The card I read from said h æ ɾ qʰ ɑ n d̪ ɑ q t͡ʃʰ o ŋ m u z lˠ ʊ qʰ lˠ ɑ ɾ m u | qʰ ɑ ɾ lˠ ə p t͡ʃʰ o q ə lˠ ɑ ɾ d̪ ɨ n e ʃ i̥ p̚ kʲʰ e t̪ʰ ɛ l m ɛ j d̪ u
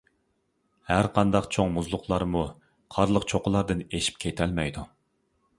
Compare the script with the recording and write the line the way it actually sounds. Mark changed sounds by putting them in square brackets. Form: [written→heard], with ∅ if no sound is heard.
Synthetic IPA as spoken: h æ ɾ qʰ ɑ n d̪ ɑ q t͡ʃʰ o ŋ m u z lˠ ʊ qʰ lˠ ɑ ɾ m u | qʰ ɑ ɾ lˠ ə [p→q] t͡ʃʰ o q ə lˠ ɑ ɾ d̪ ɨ n e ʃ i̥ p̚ kʲʰ e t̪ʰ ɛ l m ɛ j d̪ u